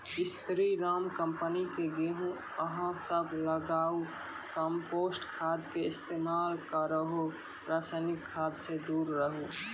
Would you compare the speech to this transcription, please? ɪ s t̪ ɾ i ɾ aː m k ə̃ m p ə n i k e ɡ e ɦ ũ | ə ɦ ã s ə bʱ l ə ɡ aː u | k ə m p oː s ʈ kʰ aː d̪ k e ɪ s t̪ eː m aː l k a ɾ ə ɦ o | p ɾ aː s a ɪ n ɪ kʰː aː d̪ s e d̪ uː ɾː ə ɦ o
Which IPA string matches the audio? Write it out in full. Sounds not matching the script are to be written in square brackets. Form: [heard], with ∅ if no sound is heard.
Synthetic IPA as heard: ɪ s t̪ ɾ i ɾ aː m k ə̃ m p ə n i k e ɡ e ɦ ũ | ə ɦ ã s ə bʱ l ə ɡ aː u | k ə m p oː s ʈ kʰ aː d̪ k e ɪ s t̪ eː m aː l k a ɾ ə ɦ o | p ɾ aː s a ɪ n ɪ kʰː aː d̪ s e d̪ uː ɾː ə ɦ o